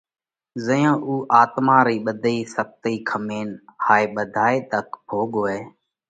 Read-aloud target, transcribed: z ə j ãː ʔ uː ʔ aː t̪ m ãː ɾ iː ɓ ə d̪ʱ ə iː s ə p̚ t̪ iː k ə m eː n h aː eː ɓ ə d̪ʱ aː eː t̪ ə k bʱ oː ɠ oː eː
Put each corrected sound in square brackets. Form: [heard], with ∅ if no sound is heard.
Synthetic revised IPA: z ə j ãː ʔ uː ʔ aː t̪ m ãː ɾ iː ɓ ə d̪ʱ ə iː s ə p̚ t̪ iː [kʰ] ə m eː n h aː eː ɓ ə d̪ʱ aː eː t̪ ə k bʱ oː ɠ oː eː